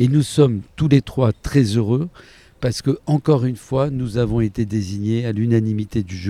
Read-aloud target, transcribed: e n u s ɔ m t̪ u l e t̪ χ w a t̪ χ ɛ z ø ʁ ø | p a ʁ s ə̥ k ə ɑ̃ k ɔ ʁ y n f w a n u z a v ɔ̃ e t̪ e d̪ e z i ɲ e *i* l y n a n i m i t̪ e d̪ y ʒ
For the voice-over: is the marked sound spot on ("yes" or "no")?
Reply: no